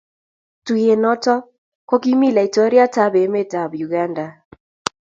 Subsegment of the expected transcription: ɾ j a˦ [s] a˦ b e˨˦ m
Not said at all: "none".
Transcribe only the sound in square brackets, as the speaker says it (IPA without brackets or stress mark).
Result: t